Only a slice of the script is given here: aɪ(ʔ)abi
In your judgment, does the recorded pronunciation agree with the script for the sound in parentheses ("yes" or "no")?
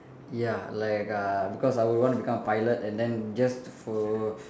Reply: no